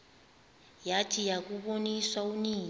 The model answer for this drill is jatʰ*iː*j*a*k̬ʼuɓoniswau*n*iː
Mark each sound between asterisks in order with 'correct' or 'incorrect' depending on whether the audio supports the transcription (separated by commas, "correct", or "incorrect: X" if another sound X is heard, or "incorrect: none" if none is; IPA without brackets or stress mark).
incorrect: i, correct, correct